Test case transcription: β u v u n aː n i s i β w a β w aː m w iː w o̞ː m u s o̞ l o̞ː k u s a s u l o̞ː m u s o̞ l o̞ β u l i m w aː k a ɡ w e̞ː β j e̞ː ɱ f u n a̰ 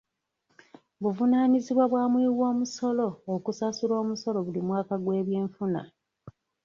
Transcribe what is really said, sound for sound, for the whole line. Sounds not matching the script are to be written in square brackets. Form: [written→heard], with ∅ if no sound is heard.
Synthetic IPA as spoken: β u v u n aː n i [s→z] i β w a β w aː m w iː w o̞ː m u s o̞ l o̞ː k u s a s u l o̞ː m u s o̞ l o̞ β u l i m w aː k a ɡ w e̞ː β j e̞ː ɱ f u n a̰